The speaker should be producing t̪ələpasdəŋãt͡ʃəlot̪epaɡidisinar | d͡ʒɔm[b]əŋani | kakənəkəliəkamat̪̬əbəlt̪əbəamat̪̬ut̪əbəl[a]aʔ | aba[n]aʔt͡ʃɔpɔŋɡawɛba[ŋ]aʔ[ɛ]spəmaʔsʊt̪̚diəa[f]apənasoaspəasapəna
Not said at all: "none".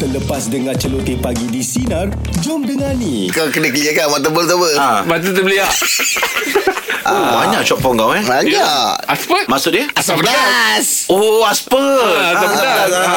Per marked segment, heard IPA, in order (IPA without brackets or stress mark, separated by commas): d, i, ɲ, ɲ, a, s